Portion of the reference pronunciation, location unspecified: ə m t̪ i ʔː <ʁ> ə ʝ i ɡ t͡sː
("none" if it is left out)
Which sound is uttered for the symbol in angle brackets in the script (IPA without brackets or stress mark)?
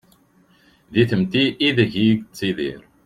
ð